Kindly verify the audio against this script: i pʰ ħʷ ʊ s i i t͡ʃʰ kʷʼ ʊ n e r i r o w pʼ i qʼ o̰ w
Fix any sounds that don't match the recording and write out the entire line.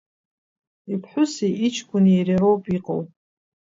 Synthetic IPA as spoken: i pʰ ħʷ ʊ s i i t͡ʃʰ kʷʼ ʊ n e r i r o w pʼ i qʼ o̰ w